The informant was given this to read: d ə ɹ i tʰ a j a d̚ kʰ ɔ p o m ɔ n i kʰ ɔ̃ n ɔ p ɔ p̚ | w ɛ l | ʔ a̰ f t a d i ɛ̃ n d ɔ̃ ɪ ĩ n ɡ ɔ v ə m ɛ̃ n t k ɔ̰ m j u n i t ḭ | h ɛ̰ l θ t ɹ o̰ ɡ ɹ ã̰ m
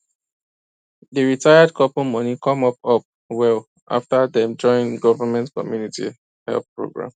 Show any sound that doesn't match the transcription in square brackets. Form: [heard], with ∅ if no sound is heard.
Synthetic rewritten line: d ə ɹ i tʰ a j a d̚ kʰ ɔ p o m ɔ n i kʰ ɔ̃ [m] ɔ p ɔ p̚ | w ɛ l | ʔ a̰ f t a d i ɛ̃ n [d͡ʒ] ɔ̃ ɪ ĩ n ɡ ɔ v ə m ɛ̃ n t k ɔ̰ m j u n i t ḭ | h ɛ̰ l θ [p] ɹ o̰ ɡ ɹ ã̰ m